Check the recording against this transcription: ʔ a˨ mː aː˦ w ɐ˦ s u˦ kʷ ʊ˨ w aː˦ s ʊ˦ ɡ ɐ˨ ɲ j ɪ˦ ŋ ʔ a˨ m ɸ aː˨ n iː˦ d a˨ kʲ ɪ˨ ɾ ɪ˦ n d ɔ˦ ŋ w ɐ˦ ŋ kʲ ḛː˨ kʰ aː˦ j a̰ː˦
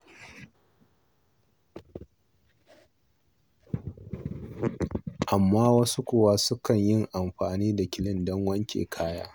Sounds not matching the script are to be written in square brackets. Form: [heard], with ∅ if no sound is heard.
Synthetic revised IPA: ʔ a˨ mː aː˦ w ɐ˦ s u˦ kʷ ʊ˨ w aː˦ s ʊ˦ [k] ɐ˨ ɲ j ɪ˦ ŋ ʔ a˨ m ɸ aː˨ n iː˦ d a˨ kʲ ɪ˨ [l] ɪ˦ n d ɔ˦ ŋ w ɐ˦ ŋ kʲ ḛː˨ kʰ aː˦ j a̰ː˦

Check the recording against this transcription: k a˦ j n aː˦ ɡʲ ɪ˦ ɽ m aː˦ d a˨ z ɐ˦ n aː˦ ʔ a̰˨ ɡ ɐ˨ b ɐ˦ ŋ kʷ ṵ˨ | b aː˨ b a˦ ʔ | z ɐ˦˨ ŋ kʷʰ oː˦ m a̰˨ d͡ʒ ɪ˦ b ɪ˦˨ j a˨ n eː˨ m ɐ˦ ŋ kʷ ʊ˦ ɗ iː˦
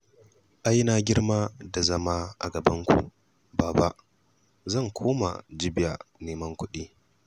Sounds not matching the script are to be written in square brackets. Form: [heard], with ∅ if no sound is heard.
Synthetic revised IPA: [ʔ] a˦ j n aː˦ ɡʲ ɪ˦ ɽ m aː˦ d a˨ z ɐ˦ [m] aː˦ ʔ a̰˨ ɡ ɐ˨ b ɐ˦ ŋ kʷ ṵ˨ | b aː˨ b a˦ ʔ | z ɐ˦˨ ŋ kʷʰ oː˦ m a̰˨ d͡ʒ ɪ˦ b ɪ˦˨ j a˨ n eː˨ m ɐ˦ ŋ kʷ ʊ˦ ɗ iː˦

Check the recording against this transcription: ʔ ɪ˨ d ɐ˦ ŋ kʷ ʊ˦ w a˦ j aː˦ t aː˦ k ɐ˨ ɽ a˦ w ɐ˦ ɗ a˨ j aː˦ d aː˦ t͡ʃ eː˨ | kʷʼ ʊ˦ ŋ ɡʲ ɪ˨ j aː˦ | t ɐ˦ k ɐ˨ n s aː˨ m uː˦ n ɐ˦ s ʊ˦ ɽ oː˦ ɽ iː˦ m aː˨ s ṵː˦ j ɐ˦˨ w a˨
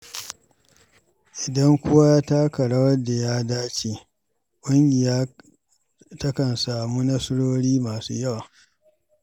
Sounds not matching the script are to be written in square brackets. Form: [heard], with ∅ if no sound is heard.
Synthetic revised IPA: ʔ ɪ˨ d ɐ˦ ŋ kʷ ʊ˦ w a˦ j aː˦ t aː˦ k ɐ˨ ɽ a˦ w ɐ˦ [d] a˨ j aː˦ d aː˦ t͡ʃ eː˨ | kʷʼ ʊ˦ ŋ ɡʲ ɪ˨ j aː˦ | t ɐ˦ k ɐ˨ n s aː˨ m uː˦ n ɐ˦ s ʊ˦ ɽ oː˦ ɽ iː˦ m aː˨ s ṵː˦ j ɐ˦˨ w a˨

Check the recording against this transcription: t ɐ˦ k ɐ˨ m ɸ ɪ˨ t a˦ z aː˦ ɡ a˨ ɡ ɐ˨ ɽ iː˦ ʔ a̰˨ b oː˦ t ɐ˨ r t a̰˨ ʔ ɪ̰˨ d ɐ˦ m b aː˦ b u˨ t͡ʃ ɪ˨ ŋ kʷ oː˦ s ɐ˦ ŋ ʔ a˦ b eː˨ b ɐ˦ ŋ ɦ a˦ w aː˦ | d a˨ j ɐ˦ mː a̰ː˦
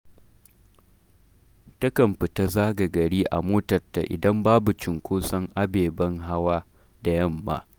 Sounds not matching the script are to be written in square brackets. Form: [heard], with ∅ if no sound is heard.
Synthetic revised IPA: t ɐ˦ k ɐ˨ m ɸ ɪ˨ t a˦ z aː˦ ɡ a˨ ɡ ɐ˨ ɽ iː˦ ʔ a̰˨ [m] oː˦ t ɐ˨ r t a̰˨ ʔ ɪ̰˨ d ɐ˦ m b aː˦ b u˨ t͡ʃ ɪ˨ ŋ kʷ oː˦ s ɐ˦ ŋ ʔ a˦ b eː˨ b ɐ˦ ŋ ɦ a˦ w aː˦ | d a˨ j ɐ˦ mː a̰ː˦

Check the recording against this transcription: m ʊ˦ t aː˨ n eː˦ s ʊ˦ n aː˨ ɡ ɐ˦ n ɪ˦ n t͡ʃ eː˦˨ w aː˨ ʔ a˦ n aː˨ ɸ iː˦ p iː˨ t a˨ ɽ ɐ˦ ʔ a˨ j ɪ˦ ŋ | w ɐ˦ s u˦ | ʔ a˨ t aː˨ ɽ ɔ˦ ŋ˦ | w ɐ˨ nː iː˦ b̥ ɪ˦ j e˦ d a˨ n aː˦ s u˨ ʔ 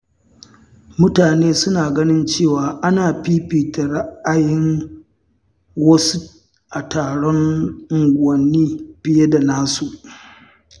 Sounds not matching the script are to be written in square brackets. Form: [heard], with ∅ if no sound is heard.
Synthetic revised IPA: m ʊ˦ t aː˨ n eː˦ s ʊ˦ n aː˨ ɡ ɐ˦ n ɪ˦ n t͡ʃ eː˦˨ w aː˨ ʔ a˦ n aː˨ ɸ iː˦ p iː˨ t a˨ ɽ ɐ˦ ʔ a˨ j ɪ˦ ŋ | w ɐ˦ s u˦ | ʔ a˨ t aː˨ ɽ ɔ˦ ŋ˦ | w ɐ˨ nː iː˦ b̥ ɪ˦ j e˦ d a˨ n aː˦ s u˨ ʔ

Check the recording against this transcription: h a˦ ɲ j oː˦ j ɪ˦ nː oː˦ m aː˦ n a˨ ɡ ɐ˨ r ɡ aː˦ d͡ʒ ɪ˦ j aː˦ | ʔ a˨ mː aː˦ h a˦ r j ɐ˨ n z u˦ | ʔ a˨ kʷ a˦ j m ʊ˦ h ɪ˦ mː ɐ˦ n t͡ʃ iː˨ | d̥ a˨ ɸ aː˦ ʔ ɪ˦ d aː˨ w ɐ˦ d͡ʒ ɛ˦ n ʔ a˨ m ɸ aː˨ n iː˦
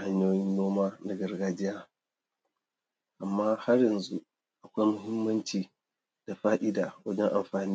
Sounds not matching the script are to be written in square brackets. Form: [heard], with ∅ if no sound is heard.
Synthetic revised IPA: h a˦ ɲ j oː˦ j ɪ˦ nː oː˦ m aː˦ n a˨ ɡ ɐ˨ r ɡ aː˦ d͡ʒ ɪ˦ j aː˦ | ʔ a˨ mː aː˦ h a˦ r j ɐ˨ n z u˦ | ʔ a˨ kʷ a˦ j m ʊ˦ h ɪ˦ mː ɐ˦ n t͡ʃ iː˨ | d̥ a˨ ɸ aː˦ ʔ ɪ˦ d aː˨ w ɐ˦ d͡ʒ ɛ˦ [ŋ] ʔ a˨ m ɸ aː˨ n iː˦

